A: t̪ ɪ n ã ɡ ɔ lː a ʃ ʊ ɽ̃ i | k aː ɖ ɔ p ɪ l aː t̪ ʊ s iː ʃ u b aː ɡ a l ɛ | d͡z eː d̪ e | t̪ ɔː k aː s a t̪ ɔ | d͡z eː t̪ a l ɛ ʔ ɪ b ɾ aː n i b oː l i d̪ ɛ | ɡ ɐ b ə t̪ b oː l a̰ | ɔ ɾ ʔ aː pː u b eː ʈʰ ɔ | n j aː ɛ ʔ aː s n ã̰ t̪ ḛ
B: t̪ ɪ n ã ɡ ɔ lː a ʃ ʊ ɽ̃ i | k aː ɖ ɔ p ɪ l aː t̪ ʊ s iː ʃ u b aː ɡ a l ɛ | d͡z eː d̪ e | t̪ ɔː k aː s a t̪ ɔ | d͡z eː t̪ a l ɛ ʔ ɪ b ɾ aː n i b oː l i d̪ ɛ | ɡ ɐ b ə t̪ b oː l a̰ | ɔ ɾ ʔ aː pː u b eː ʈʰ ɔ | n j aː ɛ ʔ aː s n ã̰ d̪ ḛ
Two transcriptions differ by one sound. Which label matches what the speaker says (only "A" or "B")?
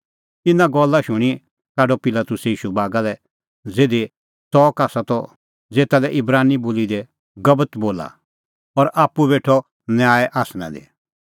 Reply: B